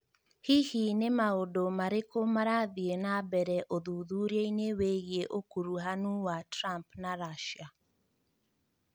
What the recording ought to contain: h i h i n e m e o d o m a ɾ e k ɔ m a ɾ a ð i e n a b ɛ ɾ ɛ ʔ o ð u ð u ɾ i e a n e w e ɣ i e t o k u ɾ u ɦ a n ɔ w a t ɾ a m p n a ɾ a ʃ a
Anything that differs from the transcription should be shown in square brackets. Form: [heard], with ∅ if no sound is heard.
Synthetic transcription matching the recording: h i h i n e m [a] o d o m a ɾ e k [o] m a ɾ a ð i e n a b ɛ ɾ ɛ ʔ o ð u ð u ɾ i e [i] n e w e ɣ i e [ʔ] o k u ɾ u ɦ a n [u] w a t ɾ a m p n a ɾ a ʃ a